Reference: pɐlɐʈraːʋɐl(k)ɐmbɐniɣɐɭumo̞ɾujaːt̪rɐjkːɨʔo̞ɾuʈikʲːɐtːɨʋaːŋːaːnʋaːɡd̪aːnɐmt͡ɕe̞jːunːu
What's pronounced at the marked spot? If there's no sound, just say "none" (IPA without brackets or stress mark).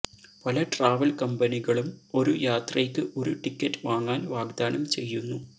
k